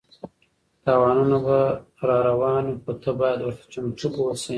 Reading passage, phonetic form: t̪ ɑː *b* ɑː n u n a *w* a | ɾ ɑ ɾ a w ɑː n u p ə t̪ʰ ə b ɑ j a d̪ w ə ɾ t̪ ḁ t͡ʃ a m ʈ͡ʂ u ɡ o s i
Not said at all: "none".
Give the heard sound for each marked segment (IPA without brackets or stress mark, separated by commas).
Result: w, b